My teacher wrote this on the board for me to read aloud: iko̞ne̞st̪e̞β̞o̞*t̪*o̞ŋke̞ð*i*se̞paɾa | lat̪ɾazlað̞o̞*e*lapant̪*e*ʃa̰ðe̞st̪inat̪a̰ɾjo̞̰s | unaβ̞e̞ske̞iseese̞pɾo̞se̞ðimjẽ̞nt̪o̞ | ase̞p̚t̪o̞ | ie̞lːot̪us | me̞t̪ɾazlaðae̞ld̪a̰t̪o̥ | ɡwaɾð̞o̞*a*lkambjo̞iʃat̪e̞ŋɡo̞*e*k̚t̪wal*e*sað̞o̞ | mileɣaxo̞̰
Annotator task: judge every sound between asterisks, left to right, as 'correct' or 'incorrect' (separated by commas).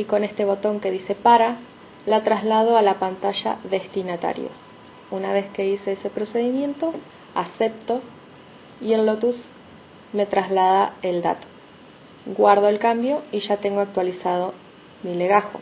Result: correct, correct, incorrect, incorrect, incorrect, incorrect, incorrect